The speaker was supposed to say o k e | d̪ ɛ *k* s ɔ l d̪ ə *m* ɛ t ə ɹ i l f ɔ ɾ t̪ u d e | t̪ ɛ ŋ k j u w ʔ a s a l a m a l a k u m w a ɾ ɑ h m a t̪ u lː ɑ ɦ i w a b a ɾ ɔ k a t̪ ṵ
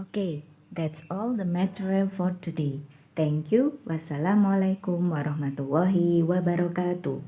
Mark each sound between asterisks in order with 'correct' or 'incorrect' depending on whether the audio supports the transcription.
incorrect: t, correct

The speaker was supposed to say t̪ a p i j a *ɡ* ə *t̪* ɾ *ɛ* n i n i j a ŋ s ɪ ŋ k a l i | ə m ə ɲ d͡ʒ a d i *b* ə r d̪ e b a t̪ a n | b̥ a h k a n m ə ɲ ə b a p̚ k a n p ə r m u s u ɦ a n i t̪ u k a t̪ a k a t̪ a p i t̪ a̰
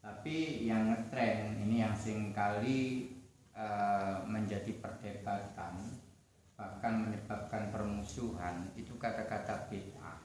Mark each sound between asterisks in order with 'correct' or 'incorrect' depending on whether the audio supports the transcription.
incorrect: ŋ, correct, correct, incorrect: p

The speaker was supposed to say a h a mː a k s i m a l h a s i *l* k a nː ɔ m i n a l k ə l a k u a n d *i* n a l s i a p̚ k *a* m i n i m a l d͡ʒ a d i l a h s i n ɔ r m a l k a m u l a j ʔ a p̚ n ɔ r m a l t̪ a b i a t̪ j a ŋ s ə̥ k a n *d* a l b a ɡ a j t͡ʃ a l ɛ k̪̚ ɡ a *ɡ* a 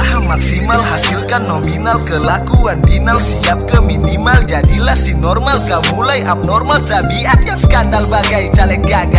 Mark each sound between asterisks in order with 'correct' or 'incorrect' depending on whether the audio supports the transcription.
correct, correct, incorrect: ə, correct, correct

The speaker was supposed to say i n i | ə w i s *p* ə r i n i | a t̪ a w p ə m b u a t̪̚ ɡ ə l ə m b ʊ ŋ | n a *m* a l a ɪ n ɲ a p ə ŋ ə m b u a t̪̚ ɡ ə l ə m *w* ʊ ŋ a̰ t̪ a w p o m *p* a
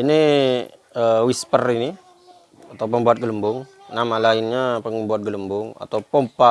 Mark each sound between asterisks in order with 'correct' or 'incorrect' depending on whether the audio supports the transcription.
correct, correct, incorrect: b, correct

